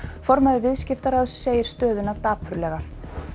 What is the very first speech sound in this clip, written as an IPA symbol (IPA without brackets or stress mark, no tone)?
f